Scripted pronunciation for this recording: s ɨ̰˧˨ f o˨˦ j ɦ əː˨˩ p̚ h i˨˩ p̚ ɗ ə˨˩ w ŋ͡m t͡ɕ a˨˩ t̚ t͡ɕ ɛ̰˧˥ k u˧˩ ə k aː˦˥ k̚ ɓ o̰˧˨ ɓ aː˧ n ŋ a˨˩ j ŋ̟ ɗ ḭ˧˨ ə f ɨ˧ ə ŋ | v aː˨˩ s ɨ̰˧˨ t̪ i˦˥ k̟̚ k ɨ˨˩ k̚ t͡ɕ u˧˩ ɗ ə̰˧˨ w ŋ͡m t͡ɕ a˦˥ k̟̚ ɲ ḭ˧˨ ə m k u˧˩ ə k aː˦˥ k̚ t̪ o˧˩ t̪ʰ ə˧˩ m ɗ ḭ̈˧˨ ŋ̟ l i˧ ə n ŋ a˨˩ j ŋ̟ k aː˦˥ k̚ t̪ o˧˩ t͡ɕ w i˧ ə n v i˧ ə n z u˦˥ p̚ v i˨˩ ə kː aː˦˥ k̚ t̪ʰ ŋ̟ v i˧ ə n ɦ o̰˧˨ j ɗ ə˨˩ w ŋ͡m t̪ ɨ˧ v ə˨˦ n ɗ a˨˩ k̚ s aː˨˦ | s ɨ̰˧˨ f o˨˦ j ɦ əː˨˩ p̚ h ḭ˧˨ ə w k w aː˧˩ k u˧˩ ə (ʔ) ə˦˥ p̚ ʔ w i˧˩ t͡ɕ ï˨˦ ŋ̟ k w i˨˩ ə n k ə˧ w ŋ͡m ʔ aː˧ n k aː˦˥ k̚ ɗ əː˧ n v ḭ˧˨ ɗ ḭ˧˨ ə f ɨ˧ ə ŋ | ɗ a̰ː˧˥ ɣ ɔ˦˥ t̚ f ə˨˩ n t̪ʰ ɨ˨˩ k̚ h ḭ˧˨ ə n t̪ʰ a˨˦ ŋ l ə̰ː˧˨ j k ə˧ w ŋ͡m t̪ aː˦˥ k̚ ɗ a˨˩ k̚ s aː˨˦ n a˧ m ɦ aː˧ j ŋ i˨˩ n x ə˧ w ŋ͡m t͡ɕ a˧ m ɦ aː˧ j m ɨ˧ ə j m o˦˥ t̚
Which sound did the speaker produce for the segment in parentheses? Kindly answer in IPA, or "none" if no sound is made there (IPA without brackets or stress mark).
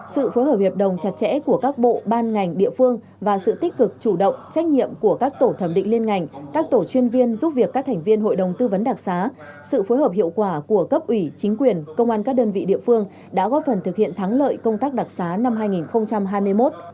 k